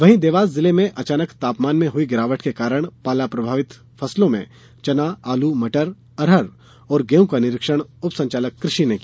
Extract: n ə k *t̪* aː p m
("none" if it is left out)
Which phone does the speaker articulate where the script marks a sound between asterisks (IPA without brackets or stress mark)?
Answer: t̪